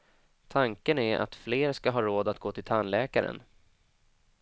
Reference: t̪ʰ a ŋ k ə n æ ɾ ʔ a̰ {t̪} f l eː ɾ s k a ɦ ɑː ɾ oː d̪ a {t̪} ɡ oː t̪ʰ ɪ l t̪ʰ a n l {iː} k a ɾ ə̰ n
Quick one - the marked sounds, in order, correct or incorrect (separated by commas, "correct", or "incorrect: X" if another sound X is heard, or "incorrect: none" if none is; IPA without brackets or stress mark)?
correct, correct, incorrect: ɛː